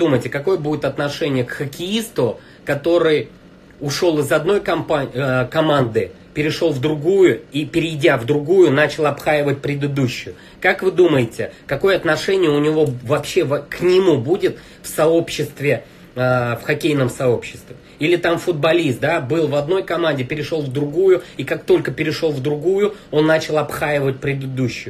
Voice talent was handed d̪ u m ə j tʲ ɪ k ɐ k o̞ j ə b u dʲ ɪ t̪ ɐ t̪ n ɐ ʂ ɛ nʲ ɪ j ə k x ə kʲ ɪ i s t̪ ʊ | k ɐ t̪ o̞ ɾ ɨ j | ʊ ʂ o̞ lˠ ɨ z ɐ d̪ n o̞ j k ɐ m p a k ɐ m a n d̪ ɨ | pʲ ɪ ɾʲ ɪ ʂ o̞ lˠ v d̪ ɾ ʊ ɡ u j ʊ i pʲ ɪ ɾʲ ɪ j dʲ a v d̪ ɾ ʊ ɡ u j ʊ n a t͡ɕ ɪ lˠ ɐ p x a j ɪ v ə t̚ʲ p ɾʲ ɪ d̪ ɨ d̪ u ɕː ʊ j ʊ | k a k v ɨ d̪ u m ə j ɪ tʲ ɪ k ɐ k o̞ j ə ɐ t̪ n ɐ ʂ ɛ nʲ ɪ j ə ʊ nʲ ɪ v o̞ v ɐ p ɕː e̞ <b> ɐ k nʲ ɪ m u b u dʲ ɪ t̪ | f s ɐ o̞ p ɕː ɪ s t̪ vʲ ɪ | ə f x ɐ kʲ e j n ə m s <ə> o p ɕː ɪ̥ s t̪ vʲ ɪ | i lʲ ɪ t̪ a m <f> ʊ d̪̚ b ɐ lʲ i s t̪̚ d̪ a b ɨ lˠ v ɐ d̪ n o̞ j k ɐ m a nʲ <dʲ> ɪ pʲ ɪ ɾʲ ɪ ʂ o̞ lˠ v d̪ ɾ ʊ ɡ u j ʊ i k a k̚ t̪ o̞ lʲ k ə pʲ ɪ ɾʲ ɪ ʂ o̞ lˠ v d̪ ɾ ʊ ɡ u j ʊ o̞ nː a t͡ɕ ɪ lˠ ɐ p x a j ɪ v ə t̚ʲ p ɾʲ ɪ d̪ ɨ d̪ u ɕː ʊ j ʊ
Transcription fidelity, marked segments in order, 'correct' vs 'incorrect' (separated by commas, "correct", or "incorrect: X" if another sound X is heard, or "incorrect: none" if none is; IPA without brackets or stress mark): incorrect: v, incorrect: ɐ, correct, correct